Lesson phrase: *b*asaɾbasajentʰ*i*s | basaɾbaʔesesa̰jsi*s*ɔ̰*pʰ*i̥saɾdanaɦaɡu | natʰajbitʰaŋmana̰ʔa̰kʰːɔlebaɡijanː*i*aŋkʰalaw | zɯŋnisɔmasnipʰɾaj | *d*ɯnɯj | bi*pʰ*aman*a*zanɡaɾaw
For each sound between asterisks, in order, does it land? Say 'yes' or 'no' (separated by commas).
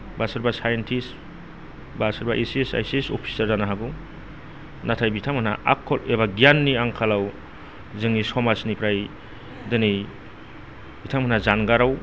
yes, yes, yes, yes, yes, yes, no, yes